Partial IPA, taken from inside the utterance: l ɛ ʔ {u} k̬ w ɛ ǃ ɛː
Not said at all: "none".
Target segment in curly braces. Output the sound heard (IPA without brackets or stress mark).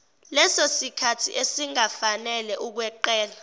u